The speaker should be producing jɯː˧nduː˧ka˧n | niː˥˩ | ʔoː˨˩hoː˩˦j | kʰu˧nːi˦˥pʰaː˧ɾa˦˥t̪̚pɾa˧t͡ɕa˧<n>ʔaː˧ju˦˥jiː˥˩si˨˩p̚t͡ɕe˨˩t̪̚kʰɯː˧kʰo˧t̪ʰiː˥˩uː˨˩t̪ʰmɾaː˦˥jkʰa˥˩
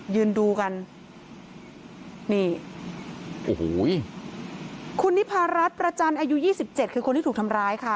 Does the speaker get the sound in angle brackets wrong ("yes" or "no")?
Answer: no